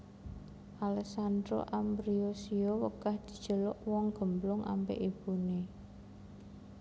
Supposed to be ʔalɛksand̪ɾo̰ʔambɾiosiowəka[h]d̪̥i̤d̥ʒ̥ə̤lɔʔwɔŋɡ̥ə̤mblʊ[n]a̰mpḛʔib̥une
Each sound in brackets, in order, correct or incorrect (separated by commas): correct, incorrect